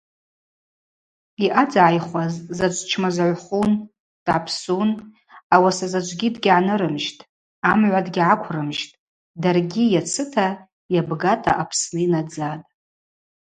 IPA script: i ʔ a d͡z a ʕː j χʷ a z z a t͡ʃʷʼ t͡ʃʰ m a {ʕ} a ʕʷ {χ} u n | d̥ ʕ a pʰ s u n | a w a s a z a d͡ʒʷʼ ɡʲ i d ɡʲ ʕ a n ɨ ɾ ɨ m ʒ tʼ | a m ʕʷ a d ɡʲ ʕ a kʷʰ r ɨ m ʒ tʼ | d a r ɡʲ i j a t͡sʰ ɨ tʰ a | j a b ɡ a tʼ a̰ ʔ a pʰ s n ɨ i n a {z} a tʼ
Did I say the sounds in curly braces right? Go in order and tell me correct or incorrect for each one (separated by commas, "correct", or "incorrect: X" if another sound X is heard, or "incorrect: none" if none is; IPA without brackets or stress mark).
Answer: incorrect: z, correct, incorrect: d͡z